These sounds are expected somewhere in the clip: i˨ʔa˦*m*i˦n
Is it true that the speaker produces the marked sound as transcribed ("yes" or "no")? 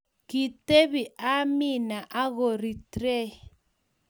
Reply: yes